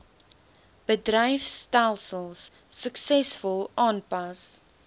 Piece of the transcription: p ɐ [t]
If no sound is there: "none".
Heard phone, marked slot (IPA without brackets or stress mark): s